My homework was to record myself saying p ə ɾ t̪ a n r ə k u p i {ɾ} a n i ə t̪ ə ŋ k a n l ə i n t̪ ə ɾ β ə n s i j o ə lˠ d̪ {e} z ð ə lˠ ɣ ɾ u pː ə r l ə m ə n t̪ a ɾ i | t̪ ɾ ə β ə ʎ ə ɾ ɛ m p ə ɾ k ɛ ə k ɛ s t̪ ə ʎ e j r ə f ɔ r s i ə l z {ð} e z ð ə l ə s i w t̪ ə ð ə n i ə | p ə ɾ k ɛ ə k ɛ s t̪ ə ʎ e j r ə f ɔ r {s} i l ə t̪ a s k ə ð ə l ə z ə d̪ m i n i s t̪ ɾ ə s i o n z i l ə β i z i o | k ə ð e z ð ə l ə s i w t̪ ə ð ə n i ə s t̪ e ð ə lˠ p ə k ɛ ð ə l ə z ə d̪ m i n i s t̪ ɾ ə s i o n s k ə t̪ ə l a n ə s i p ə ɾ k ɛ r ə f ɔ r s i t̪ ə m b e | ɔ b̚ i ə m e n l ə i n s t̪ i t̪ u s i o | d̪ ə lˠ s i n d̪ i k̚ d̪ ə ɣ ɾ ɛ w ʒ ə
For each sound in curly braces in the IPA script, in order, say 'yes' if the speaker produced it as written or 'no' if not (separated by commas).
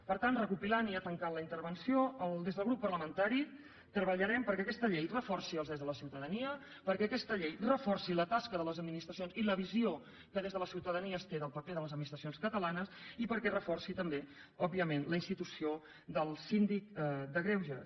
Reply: no, yes, yes, yes